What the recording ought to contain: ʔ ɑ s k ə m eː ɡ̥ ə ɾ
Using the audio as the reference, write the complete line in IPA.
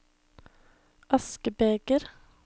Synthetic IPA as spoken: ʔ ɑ s k ə b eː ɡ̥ ə ɾ